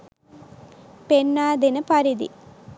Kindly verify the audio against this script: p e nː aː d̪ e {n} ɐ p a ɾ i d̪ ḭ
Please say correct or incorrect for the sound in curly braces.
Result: correct